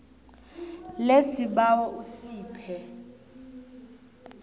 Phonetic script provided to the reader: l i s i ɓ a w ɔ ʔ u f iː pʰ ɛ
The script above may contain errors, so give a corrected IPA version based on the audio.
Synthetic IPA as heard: l e s i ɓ a w ɔ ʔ u s iː pʰ ɛ

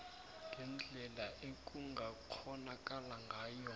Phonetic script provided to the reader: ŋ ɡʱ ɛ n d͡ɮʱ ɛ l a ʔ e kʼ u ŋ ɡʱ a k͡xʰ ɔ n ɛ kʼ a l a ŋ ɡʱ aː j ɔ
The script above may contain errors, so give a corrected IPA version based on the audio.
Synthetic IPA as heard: ŋ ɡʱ ɛ n d͡ɮʱ ɛ l a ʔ e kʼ u ŋ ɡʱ a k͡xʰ ɔ n a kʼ a l a ŋ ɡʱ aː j ɔ

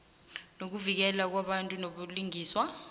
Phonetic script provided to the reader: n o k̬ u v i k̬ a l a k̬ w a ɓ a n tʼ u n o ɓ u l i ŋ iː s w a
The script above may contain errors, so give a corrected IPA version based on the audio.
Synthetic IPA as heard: n o k̬ u v i k̬ ɛ l a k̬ w a ɓ a n tʼ u n o ɓ u l i ŋ iː s w a

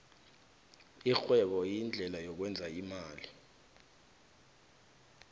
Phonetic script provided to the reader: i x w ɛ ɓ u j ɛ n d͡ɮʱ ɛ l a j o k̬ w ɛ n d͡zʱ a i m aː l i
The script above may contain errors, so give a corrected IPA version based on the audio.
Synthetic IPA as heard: i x w ɛ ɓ ɔ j i n d͡ɮʱ ɛ l a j ɔ k̬ w ɛ n d͡zʱ a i m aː l i

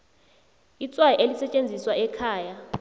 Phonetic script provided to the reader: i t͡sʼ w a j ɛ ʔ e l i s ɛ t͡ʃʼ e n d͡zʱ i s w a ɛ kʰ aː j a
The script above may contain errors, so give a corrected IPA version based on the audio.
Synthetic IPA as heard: i t͡sʼ w a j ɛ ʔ e l i s ɛ t͡ʃʼ e n d͡zʱ i s w a ɛ kʰ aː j a

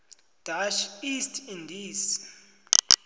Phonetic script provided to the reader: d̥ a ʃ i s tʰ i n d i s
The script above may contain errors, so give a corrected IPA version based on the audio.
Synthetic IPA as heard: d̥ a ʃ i s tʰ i n d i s

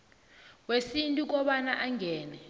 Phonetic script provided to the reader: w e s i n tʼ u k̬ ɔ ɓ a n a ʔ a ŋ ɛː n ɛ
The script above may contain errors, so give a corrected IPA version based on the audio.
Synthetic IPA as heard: w e s i n tʼ u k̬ ɔ ɓ a n a ʔ a ŋ ɛː n ɛ

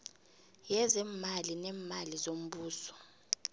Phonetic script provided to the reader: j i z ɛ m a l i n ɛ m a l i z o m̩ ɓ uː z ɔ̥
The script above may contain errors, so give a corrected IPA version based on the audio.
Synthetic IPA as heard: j ɛ z ɛ m a l i n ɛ m a l i z o m̩ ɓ uː s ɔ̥

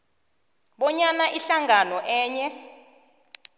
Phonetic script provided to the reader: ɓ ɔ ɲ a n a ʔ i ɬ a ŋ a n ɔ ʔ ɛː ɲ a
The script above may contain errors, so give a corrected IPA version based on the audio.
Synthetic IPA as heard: ɓ ɔ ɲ a n a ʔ i ɬ a ŋ a n ɔ ʔ ɛː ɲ ɛ

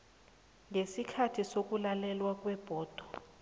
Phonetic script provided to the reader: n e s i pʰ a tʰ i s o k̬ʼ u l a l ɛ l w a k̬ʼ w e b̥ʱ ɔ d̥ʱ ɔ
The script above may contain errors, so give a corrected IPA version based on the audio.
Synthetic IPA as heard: ŋ e s i kʰ a tʰ i s o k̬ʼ u l a l ɛ l w a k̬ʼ w ɛ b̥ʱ ɔː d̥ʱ ɔ

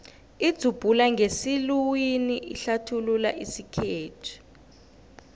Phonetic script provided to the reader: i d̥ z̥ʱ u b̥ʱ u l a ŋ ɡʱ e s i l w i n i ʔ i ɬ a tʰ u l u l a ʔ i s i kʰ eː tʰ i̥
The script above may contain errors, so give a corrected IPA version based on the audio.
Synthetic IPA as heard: i d̥ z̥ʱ u b̥ʱ u l a ŋ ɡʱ e s i l w i n i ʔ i ɬ a tʰ u l u l a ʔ i s i kʰ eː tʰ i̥

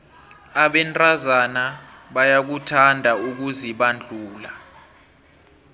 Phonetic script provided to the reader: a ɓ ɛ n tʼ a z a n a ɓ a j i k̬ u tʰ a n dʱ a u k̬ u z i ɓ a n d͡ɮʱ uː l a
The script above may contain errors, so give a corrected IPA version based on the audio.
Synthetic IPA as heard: a ɓ ɛ n tʼ a z a n a ɓ a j a k̬ u tʰ a n dʱ a u k̬ u z i ɓ a n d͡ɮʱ uː l a

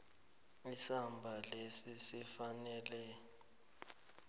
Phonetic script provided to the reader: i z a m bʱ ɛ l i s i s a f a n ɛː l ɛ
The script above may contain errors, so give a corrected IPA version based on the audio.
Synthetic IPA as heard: i s a m bʱ a l e s i s i f a n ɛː l ɛ

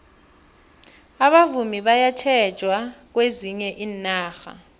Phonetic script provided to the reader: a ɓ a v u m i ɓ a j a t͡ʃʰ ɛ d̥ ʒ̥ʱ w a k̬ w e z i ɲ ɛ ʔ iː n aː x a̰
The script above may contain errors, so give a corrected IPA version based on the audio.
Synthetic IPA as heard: a ɓ a v u m i ɓ a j a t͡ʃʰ ɛ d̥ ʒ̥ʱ w a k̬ w e z i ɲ ɛ ʔ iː n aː x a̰

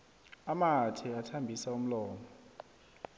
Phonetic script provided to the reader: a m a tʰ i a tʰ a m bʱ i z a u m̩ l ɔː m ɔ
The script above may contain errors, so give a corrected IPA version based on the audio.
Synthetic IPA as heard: a m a tʰ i a tʰ a m bʱ i s a u m̩ l ɔː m ɔ

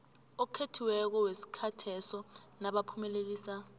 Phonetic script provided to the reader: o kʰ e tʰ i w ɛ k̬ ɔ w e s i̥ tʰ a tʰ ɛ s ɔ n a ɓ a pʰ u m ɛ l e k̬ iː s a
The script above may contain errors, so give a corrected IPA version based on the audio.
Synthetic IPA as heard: o kʰ e tʰ i w ɛ k̬ ɔ w e s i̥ kʰ a tʰ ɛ s ɔ n a ɓ a pʰ u m ɛ l e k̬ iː s a

